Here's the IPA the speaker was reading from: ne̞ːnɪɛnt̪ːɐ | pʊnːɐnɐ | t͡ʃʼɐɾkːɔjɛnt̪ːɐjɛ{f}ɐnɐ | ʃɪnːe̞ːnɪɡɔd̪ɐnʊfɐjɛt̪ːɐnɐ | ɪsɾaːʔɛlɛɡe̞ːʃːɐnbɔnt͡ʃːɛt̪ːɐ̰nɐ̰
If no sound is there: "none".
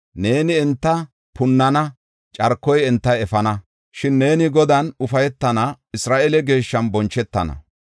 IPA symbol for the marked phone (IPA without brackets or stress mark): f